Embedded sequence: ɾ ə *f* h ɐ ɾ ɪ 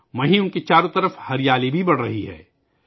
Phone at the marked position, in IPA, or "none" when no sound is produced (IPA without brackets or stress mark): f